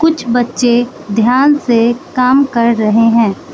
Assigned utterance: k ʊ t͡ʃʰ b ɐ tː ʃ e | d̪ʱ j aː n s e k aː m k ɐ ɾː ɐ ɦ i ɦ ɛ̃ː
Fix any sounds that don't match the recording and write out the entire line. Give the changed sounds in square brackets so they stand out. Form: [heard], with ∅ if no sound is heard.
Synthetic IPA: k ʊ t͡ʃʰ b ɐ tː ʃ e | d̪ʱ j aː n s e k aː m k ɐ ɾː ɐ ɦ [e] ɦ ɛ̃ː